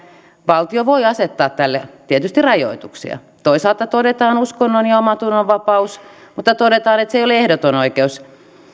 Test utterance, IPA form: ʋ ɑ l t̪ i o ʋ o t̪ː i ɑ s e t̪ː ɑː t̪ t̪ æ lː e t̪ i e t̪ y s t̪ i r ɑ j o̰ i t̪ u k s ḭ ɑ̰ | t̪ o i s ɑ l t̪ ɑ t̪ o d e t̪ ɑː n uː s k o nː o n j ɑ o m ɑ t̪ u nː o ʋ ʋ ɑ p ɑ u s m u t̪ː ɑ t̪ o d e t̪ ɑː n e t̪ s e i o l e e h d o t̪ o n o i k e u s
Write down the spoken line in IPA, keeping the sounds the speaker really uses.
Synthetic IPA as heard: ʋ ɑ l t̪ i o ʋ o i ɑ s e t̪ː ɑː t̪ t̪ æ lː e t̪ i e t̪ y s t̪ i r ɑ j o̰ i t̪ u k s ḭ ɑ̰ | t̪ o i s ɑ l t̪ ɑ t̪ o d e t̪ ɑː n u s k o nː o n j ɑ o m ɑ t̪ u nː o ʋ ʋ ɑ p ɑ u s m u t̪ː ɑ t̪ o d e t̪ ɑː n e t̪ s e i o l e e h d o t̪ o n o i k e u s